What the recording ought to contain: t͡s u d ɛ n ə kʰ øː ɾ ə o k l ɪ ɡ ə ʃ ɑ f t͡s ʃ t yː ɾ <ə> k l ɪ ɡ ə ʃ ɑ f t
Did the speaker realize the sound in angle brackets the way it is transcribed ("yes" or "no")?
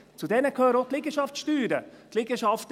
yes